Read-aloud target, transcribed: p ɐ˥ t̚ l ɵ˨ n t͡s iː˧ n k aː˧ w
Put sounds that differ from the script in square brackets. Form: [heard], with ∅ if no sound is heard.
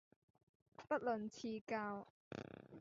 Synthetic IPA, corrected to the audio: p ɐ˥ t̚ l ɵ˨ n [t͡sʰ] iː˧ [∅] k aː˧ w